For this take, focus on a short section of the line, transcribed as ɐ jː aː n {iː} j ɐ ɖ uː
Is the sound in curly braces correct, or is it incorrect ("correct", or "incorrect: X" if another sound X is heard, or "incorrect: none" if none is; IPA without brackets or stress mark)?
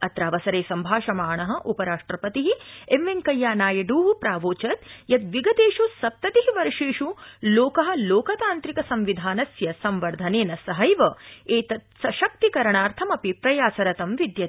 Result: incorrect: aː